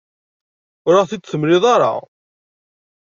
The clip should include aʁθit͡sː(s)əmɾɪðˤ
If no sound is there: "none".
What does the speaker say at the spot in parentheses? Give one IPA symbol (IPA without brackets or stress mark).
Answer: θ